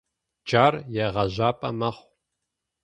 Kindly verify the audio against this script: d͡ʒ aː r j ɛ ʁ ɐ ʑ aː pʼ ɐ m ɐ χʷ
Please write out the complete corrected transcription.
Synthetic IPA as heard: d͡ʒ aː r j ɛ ʁ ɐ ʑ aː pʼ ɐ m ɐ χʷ